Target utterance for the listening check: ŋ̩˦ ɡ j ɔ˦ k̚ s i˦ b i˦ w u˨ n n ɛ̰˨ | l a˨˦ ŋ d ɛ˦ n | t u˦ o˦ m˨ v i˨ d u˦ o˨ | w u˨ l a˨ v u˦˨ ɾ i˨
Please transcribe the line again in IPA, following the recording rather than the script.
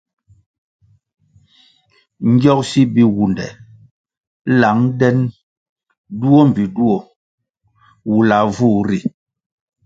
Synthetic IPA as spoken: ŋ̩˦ ɡ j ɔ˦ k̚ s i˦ b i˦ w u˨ n d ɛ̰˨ | l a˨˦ ŋ d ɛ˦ n | d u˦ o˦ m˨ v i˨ d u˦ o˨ | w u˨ l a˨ v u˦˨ ɾ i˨